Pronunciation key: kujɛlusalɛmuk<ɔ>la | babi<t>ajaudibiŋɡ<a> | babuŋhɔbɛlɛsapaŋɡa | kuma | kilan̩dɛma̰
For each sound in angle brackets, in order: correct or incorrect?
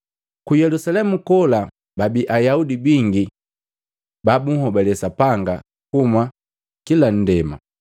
correct, incorrect: ʔ, incorrect: i

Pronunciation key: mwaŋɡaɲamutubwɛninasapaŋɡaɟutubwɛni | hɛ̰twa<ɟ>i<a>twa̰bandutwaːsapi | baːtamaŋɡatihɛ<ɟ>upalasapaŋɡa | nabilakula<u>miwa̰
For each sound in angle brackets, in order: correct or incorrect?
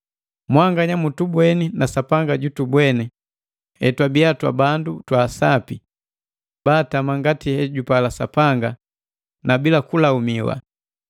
incorrect: b, correct, correct, correct

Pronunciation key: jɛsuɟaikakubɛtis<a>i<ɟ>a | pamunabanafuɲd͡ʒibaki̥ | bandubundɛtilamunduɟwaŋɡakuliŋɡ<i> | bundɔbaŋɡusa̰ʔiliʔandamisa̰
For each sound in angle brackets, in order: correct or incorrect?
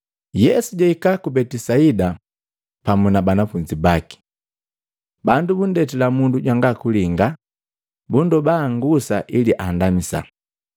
correct, incorrect: d, incorrect: a

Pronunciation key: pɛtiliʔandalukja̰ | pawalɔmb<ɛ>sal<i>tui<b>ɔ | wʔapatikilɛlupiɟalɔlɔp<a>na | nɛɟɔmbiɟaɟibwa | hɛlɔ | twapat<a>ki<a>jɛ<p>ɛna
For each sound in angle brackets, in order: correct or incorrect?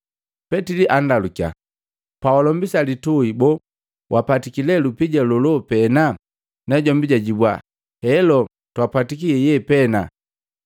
incorrect: i, correct, correct, incorrect: ɛ, incorrect: i, incorrect: ɛ, correct

